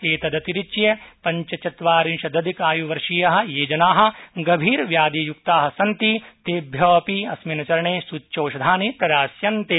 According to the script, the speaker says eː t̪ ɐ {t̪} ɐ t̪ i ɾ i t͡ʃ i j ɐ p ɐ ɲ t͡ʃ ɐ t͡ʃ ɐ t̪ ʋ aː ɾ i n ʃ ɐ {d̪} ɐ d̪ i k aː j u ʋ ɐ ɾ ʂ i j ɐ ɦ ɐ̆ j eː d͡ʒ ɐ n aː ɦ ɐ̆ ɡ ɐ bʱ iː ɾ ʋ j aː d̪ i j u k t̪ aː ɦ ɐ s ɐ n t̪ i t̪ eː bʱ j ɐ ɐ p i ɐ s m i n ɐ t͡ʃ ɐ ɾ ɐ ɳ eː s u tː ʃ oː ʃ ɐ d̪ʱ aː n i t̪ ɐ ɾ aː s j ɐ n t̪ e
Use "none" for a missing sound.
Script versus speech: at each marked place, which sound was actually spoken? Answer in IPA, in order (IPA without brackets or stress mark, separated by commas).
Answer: d̪, d̪